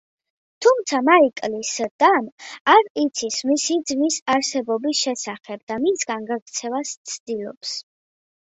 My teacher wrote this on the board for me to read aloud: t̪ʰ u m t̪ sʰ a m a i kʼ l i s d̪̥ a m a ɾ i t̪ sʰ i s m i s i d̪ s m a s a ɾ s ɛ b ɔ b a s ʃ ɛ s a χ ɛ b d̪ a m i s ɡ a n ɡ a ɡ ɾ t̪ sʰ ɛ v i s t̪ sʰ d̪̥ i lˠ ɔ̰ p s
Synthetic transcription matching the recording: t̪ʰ u m t̪ sʰ a m a i kʼ l i s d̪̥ a m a ɾ i t̪ sʰ i s m i s i d̪ z m i s a ɾ s ɛ b ɔ b i s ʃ ɛ s a χ ɛ b d̪ a m i s ɡ a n ɡ a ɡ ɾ t̪ sʰ ɛ v a s t̪ sʰ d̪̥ i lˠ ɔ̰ p s